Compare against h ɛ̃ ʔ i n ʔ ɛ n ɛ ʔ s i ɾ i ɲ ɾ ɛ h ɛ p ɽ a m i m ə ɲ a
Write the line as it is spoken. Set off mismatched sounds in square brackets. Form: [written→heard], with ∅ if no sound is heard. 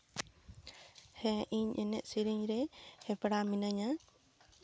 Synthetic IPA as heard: h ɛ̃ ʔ i [n→ɲ] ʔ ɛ n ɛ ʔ s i ɾ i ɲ ɾ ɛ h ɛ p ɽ a m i [m→n] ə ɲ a